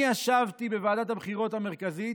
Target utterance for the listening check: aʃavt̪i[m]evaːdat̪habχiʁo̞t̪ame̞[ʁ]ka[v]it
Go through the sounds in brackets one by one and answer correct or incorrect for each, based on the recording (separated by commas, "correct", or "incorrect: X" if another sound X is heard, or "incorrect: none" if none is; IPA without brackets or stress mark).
incorrect: b, correct, incorrect: z